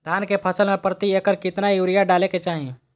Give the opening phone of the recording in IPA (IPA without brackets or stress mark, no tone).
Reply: d̪ʱ